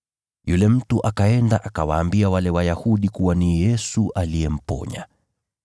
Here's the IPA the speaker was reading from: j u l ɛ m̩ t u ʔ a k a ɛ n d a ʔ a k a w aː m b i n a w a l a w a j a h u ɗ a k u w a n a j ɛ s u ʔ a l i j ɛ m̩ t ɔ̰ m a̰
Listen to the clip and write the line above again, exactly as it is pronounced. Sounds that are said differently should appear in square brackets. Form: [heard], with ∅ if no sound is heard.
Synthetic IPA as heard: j u l ɛ m̩ t u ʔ a k a ɛ n d a ʔ a k a w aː m b i [∅] a w a l [ɛ] w a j a h u ɗ [i] k u w a n [i] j ɛ s u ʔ a l i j ɛ m̩ [p] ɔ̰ [ɲ] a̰